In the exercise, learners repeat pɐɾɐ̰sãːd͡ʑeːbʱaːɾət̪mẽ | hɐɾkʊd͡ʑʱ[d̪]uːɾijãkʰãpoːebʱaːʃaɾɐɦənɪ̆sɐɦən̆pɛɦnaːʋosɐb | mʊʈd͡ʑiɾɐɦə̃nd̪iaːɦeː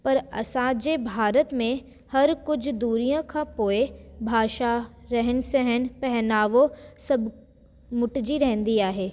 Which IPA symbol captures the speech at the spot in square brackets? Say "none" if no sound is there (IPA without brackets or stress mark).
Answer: d̪